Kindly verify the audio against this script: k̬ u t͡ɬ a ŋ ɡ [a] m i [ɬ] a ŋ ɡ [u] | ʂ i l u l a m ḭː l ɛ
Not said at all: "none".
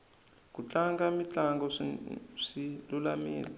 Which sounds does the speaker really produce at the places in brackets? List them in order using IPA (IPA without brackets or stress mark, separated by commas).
a, t͡ɬ, ɔ